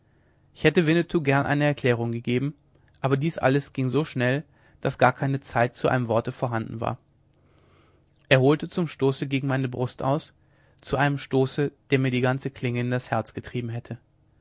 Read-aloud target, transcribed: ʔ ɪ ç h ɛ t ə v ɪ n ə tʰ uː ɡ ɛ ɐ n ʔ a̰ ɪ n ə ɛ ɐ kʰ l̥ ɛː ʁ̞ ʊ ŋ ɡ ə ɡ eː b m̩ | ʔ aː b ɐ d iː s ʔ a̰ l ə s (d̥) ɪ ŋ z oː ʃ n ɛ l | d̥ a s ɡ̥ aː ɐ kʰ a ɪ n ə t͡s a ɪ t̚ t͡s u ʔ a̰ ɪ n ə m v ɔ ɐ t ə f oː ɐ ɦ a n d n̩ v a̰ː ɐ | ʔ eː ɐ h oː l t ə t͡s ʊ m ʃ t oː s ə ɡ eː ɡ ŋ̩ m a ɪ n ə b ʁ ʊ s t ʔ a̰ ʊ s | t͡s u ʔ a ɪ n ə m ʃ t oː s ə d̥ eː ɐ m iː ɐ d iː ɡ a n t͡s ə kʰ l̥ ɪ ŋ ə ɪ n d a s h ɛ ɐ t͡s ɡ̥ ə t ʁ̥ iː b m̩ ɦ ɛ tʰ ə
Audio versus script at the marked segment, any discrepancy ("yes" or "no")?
yes